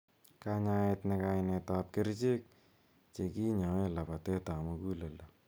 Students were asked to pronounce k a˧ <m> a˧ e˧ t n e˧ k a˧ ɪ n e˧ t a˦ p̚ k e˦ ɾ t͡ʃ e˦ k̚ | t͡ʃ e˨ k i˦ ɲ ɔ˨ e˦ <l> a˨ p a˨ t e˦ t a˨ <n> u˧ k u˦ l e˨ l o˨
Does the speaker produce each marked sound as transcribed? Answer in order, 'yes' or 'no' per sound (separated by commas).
no, yes, no